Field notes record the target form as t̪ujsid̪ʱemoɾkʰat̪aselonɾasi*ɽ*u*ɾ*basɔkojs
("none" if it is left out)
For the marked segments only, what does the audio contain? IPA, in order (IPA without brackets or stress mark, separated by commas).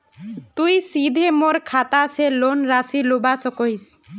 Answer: l, none